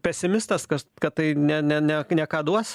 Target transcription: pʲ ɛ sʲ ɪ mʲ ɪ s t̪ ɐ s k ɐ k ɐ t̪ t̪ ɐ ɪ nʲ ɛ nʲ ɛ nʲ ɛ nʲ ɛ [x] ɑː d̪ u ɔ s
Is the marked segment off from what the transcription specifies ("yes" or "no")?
yes